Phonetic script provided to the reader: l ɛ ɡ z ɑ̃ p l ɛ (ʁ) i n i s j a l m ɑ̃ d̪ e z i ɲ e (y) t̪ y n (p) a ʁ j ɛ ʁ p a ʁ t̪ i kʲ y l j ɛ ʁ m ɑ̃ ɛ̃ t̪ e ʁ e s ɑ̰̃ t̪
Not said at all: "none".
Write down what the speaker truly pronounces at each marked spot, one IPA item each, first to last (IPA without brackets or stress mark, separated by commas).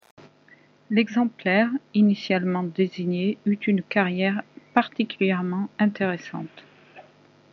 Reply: ʁ, y, k